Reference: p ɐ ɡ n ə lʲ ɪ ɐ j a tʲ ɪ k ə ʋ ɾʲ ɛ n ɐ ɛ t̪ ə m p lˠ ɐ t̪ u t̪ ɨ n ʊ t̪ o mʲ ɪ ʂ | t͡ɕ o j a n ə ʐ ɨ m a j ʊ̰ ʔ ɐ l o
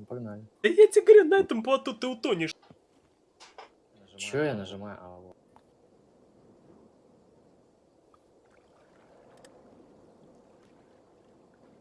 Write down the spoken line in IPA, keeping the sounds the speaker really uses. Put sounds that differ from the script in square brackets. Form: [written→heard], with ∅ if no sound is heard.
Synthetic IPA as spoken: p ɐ ɡ n [ə→a] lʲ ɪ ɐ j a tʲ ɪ [k→ɡ] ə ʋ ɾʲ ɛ n ɐ ɛ t̪ ə m p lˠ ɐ t̪ u t̪ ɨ [n→∅] ʊ t̪ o [mʲ→nʲ] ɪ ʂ | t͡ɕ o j a n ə ʐ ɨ m a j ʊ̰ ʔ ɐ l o